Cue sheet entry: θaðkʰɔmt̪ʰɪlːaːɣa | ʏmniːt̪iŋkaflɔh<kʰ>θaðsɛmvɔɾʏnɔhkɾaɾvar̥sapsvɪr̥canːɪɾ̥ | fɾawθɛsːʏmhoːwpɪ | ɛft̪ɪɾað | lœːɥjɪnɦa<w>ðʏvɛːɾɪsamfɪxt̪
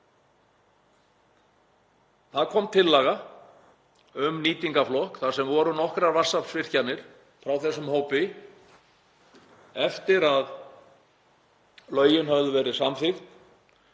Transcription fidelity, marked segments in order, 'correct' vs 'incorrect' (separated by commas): incorrect, incorrect